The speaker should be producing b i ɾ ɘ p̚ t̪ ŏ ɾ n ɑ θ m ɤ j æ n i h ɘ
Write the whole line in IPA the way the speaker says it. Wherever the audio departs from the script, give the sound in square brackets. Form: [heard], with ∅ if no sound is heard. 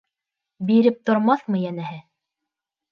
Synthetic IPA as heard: b i ɾ ɘ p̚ t̪ ŏ ɾ [m] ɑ θ m ɤ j æ n [æ] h ɘ